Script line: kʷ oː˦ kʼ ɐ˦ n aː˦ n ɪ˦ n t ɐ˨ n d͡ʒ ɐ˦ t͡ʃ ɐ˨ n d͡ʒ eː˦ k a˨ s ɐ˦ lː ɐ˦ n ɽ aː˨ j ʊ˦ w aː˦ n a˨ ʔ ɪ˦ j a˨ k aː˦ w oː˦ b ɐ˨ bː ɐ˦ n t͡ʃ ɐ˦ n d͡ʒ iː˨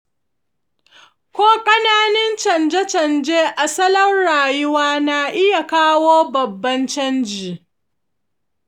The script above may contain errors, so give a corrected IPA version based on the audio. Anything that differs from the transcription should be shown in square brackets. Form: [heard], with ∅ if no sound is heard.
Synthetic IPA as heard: kʷ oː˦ kʼ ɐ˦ n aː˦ n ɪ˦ n [t͡ʃ] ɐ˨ n d͡ʒ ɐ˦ t͡ʃ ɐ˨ n d͡ʒ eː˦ [ʔ] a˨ s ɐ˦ [l] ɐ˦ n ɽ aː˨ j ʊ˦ w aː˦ n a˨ ʔ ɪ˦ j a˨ k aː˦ w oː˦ b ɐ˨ bː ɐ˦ n t͡ʃ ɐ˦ n d͡ʒ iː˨

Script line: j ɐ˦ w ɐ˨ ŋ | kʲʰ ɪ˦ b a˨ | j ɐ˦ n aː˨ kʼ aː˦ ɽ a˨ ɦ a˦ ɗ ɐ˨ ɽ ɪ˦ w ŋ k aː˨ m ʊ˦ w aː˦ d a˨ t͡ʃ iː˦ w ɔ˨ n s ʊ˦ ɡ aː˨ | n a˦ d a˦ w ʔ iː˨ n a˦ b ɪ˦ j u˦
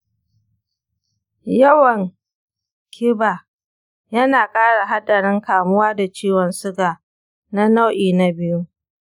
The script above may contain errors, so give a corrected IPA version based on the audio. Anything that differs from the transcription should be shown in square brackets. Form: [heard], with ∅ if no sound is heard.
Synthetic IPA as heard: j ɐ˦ w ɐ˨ ŋ | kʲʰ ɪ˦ b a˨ | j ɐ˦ n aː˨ kʼ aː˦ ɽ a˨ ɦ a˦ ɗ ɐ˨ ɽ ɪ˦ [∅] ŋ k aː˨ m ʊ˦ w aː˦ d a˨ t͡ʃ iː˦ w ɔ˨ n s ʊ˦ ɡ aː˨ | n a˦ [n] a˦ w ʔ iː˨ n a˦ b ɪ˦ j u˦

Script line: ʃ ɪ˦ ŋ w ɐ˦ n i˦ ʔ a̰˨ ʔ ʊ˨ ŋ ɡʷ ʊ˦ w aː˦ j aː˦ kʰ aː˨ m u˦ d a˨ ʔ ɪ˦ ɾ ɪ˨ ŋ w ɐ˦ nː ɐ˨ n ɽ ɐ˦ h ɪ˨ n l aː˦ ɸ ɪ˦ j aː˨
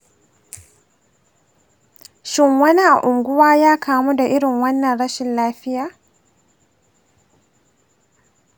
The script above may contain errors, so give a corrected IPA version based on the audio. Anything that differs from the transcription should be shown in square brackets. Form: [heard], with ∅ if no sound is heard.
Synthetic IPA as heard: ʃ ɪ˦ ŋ w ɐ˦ n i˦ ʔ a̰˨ ʔ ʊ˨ ŋ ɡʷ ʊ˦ w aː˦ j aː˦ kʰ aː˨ m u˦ d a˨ ʔ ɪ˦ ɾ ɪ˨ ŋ w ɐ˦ nː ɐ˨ n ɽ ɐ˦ [ʃ] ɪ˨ n l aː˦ ɸ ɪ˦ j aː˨

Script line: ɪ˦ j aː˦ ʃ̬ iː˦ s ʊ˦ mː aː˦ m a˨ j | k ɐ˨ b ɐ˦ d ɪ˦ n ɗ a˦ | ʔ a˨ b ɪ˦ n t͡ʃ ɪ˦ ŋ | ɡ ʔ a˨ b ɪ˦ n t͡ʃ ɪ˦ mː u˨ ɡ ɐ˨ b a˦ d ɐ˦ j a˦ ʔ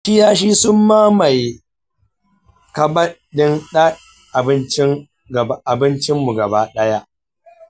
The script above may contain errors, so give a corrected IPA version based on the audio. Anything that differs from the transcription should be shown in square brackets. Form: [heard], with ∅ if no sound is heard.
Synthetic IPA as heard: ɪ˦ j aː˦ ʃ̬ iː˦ s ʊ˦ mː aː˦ m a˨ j | k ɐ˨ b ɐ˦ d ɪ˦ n ɗ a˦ | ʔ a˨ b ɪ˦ n t͡ʃ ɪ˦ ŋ | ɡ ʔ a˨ b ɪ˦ n t͡ʃ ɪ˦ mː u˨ ɡ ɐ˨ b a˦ [ɗ] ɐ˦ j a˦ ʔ

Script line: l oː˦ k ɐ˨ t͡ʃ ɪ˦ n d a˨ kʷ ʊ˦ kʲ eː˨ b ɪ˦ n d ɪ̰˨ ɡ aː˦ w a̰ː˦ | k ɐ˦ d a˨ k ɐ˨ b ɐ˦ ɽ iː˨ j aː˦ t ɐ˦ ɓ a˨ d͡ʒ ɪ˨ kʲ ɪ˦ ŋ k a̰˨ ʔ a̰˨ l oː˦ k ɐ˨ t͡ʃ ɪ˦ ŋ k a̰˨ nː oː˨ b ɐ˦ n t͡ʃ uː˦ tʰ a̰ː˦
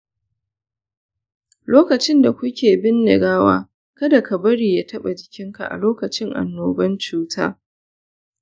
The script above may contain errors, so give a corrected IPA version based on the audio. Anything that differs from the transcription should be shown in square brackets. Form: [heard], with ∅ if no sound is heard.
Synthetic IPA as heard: l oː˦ k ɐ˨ t͡ʃ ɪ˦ n d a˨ kʷ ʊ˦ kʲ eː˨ b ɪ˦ n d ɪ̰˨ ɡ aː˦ w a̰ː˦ | k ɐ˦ d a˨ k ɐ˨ b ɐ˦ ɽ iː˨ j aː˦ t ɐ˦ ɓ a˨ d͡ʒ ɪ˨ kʲ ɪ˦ ŋ k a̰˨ ʔ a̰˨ l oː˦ k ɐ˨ t͡ʃ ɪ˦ ŋ [ʔ] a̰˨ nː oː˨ b ɐ˦ n t͡ʃ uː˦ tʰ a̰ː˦

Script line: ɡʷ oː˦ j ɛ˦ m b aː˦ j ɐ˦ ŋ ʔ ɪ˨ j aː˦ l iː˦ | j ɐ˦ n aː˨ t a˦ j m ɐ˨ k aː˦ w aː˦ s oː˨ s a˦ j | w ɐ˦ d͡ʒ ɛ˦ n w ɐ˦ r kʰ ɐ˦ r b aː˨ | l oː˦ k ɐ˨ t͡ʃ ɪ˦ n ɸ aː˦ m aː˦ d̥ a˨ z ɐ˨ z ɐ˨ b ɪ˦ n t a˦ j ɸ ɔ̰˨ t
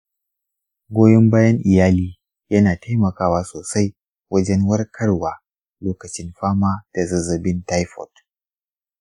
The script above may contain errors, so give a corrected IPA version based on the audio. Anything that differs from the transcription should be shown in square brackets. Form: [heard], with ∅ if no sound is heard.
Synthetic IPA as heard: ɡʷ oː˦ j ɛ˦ m b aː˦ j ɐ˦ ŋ ʔ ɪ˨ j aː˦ l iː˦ | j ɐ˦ n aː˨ t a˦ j m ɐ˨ k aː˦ w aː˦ s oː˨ s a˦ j | w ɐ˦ d͡ʒ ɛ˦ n w ɐ˦ r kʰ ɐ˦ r [w] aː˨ | l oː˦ k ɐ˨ t͡ʃ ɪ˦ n ɸ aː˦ m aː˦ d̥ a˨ z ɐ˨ z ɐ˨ b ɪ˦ n t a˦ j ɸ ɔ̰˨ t

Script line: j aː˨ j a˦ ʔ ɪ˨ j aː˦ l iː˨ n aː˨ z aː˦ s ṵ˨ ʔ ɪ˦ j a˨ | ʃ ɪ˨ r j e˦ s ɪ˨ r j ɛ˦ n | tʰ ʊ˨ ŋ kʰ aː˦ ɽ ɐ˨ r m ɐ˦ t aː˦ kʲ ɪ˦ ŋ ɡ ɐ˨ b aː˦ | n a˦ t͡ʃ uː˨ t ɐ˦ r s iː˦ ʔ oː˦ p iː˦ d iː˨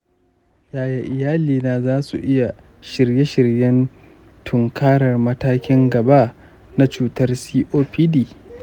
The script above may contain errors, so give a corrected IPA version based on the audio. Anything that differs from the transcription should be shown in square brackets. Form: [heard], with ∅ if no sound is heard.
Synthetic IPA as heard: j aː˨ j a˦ ʔ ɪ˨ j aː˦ l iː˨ n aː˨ z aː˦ s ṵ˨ ʔ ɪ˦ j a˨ | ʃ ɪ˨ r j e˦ [ʃ] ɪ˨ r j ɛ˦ n | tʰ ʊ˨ ŋ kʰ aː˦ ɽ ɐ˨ r m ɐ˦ t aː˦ kʲ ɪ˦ ŋ ɡ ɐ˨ b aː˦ | n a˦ t͡ʃ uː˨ t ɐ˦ r s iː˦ ʔ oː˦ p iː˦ d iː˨

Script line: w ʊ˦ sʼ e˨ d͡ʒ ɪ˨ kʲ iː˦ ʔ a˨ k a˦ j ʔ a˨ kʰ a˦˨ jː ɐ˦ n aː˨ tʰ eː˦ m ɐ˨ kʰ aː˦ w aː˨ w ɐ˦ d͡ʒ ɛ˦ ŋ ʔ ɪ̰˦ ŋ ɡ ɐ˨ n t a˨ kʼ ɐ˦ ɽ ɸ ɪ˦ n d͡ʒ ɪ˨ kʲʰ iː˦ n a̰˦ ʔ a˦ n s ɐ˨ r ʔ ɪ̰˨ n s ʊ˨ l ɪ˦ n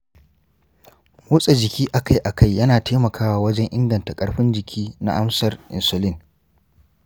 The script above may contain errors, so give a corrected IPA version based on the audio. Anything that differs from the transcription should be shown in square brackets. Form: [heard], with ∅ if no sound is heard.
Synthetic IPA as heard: w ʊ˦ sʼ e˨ d͡ʒ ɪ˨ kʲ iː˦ ʔ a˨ k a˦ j ʔ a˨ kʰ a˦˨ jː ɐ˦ n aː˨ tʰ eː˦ m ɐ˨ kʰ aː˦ w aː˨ w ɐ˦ d͡ʒ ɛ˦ ŋ ʔ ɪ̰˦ ŋ ɡ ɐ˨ n t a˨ kʼ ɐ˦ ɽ ɸ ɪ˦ n d͡ʒ ɪ˨ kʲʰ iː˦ n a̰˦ ʔ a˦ [m] s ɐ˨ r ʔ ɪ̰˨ n s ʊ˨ l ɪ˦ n

